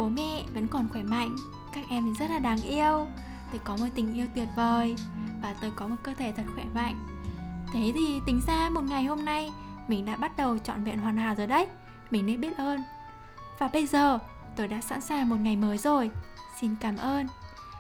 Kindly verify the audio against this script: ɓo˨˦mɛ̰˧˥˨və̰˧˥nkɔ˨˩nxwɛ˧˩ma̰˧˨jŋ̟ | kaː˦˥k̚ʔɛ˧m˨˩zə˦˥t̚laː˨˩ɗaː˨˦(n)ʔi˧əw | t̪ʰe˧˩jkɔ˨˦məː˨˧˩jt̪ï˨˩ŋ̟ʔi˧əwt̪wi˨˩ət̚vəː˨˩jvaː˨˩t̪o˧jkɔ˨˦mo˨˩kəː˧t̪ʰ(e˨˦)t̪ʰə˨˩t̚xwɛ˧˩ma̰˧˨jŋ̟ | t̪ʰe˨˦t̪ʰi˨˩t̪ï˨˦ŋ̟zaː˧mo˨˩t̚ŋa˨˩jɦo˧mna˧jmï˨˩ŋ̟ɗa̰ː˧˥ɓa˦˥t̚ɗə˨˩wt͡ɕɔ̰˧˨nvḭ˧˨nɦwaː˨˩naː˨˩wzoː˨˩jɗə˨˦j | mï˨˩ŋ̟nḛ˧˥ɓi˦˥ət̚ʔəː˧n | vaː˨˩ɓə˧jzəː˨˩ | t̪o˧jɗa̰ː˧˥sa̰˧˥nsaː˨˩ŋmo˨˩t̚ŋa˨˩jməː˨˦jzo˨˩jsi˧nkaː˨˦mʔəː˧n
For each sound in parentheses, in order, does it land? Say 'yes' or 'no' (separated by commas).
no, no